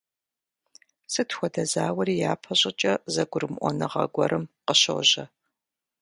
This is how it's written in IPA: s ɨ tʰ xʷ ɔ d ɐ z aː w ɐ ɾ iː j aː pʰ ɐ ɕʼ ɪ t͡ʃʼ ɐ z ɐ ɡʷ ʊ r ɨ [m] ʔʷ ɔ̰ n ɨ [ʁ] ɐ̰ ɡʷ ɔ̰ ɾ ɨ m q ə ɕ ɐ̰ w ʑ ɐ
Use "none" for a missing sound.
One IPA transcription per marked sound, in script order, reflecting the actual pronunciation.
m, ʁ

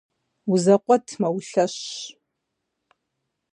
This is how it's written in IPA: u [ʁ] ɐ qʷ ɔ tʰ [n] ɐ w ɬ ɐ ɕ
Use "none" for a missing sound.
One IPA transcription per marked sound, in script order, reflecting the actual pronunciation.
z, m

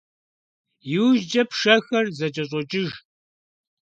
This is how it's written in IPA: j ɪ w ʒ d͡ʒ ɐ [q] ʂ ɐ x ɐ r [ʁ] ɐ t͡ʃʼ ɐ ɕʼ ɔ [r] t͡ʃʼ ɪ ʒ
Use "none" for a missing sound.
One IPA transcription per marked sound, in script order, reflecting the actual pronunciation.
p, z, none

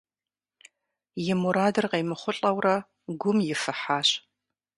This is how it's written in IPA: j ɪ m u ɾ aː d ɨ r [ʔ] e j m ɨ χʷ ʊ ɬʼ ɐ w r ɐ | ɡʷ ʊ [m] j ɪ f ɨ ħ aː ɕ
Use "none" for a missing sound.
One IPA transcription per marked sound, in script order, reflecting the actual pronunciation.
q, m

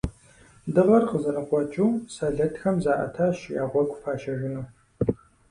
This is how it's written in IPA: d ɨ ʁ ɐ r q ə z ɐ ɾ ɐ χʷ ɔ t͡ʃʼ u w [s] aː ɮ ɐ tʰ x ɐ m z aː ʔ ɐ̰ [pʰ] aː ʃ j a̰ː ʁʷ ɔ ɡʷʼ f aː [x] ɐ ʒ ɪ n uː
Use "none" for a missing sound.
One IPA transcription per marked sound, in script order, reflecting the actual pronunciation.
s, tʰ, ʃ

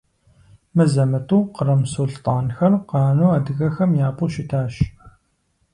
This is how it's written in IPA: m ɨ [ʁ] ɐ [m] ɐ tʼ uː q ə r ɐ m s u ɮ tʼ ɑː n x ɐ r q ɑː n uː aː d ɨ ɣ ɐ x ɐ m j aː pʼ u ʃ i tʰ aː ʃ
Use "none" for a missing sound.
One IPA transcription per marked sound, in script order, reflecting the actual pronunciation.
z, m

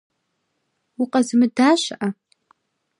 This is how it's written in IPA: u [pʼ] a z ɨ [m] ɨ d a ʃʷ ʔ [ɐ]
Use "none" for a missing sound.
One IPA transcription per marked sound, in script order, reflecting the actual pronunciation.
qʼ, m, a

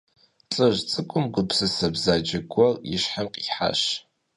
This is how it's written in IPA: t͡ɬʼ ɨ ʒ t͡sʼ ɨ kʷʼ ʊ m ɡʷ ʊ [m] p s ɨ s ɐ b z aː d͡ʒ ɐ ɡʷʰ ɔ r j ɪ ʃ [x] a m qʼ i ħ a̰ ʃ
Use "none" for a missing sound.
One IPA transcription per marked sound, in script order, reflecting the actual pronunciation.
none, ħ

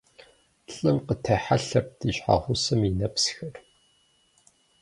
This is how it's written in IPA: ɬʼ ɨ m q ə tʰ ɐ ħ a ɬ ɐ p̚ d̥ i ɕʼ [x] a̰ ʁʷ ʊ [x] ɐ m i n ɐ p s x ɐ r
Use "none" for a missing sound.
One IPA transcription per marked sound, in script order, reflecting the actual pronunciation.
ħ, s

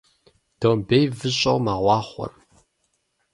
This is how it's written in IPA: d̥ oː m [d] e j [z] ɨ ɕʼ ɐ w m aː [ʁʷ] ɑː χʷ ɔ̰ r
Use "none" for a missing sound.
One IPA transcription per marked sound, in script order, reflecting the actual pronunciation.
b, v, ʁʷ

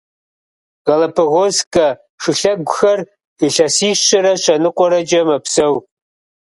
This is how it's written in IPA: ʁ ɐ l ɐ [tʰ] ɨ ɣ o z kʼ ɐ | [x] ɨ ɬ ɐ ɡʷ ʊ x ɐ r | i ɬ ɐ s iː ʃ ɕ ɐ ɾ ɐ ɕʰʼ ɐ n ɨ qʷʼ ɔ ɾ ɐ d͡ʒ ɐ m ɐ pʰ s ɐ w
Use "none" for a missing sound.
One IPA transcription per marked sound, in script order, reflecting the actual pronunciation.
pʰ, ʂ

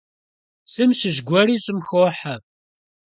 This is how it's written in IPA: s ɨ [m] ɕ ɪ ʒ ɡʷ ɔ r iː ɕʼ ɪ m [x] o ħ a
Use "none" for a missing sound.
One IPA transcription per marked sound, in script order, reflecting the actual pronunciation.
m, x

